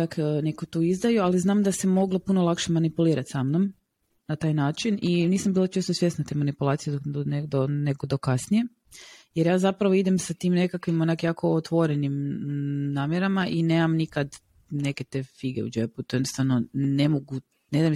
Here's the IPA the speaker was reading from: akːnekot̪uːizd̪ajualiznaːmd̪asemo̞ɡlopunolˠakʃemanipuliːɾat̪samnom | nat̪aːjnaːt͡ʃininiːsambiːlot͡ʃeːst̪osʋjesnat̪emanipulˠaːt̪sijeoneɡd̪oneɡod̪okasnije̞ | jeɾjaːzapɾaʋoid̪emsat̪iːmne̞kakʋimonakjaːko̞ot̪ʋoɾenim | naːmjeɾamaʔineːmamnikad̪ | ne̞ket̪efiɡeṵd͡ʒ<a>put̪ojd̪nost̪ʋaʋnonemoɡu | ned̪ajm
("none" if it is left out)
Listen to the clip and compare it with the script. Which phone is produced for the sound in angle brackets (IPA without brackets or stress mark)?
e